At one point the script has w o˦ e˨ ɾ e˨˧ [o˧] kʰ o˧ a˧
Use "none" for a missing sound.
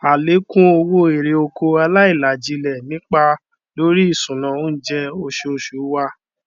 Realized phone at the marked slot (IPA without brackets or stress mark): o˧